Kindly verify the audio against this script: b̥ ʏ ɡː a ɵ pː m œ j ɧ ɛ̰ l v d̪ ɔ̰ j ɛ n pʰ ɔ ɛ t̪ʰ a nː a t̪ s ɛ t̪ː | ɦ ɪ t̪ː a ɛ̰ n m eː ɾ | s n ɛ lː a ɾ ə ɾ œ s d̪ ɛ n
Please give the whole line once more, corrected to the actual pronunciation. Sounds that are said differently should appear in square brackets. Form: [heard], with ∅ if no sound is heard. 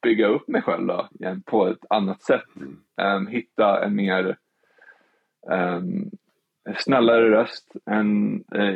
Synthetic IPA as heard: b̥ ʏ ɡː a ɵ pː m [ɛ] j ɧ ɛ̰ l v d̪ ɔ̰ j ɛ n pʰ ɔ ɛ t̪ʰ a nː a t̪ s ɛ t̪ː | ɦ ɪ t̪ː a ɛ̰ n m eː ɾ | s n ɛ lː a ɾ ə ɾ œ s [t̪] ɛ n